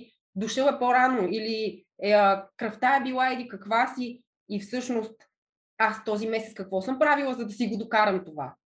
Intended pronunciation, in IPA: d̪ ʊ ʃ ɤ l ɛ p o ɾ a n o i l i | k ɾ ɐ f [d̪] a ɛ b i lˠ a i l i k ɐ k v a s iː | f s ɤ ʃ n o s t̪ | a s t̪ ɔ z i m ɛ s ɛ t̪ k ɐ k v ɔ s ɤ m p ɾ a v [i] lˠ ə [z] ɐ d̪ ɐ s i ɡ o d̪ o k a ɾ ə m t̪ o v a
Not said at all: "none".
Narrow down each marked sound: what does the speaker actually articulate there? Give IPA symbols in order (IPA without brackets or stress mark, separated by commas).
t̪, i, z